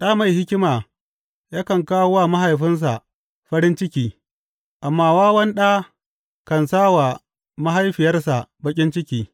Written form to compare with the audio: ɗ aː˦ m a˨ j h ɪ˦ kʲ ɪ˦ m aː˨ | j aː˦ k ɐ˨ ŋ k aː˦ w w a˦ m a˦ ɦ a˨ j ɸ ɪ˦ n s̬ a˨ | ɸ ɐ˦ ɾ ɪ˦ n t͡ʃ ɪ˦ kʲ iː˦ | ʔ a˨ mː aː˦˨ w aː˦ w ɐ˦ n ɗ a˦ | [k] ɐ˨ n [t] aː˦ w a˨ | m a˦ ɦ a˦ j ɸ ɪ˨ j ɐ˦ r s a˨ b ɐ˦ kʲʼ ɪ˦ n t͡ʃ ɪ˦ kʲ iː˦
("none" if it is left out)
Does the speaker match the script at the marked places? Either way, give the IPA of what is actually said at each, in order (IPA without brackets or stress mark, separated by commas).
k, s